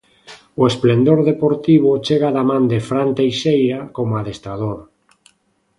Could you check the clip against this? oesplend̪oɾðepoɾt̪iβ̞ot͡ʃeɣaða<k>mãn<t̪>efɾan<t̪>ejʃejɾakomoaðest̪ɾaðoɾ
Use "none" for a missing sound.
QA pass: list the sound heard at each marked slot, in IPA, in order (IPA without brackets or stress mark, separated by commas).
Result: none, d̪, t̪